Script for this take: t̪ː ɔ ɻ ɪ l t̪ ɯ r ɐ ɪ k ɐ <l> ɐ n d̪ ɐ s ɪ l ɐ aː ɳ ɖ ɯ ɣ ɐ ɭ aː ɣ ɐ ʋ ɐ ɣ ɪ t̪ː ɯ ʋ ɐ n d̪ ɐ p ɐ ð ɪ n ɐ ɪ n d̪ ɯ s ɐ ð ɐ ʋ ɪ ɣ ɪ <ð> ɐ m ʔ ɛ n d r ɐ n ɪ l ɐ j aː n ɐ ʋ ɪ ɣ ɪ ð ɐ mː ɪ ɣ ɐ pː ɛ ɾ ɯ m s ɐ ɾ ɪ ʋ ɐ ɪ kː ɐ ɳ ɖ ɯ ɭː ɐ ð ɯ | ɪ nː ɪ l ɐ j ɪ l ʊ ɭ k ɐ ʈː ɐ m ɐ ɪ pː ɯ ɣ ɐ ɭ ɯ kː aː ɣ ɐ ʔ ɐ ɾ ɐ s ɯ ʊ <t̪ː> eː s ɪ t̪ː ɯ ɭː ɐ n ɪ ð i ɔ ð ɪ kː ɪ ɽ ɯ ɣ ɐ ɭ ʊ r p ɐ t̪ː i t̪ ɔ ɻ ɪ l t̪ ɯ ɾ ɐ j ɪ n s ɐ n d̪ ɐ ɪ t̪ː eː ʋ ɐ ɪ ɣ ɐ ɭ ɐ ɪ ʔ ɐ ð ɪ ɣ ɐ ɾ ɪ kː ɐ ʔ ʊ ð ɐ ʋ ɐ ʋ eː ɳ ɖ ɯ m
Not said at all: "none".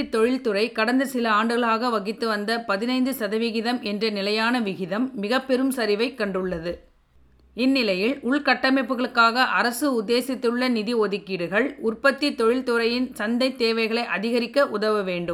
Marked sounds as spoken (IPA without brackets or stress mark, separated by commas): ɽ, ð, d̪ː